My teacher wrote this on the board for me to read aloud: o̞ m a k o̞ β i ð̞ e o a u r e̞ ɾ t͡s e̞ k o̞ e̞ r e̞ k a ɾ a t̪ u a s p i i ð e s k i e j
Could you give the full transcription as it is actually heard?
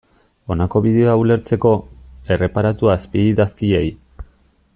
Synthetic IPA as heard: o̞ n a k o̞ β i ð̞ e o a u l e̞ ɾ t͡s e̞ k o̞ e̞ r e̞ p a ɾ a t̪ u a s p i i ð a s k i e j